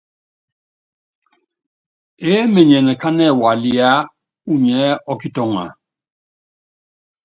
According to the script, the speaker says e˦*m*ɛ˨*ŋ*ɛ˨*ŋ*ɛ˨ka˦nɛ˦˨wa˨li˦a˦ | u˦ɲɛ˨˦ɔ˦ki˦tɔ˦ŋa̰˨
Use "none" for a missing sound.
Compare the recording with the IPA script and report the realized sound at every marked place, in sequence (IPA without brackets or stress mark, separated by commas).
m, ɲ, n